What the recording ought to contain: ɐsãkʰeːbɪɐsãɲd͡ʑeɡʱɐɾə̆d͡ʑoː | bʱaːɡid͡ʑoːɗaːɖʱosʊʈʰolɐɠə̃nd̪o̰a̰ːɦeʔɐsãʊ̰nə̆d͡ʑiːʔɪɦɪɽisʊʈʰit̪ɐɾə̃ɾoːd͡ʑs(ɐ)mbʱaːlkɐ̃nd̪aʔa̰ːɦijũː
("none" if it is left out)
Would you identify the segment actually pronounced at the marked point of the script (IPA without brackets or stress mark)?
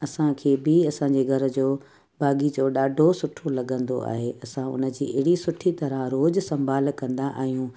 ɐ̃